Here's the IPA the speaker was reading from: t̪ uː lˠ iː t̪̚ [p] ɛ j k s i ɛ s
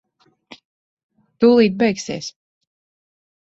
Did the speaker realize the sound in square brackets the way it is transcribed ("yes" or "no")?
no